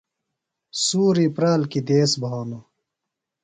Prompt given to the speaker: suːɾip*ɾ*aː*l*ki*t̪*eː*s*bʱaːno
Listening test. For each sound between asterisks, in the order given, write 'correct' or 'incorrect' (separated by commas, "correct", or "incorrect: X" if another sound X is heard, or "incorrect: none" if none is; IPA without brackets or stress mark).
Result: correct, correct, incorrect: d̪, correct